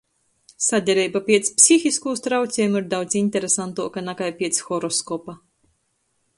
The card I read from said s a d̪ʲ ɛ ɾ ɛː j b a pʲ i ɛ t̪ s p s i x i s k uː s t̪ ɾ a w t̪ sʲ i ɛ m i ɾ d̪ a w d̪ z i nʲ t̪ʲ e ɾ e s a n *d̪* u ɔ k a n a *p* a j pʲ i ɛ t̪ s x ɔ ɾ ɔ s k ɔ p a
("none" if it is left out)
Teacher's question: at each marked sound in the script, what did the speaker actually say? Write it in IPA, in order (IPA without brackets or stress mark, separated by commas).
t̪, k